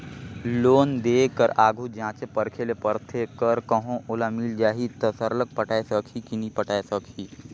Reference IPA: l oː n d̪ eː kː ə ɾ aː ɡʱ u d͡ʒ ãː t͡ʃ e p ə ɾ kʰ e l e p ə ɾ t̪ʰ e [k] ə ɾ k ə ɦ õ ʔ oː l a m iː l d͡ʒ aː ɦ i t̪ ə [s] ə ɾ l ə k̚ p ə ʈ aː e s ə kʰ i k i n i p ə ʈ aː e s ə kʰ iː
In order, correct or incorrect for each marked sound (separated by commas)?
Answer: correct, correct